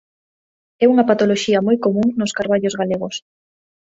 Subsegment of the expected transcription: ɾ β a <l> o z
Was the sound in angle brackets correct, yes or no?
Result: no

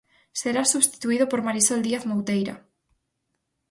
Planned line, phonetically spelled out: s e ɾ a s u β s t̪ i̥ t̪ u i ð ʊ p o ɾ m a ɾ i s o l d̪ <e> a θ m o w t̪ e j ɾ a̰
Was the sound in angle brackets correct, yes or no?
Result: no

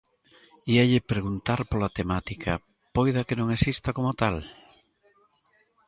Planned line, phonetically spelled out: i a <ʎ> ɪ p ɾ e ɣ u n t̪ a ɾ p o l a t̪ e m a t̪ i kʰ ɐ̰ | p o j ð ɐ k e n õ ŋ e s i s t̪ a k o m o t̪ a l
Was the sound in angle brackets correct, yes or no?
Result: yes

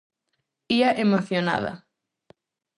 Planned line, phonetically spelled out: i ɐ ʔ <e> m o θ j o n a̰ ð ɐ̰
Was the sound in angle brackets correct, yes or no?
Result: yes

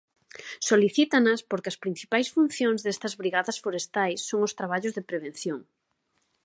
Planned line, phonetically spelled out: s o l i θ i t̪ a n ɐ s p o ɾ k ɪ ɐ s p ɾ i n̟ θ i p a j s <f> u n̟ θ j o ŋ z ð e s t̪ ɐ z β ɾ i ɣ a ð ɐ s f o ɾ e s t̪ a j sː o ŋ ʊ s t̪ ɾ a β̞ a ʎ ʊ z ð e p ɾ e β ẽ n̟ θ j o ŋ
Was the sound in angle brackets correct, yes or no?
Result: yes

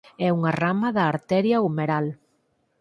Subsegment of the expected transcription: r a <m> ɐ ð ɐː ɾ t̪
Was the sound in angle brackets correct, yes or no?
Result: yes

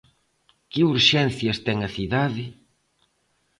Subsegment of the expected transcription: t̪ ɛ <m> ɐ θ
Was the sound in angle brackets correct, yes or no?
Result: no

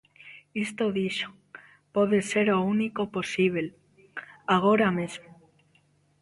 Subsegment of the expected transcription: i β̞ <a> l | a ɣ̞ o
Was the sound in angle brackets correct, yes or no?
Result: no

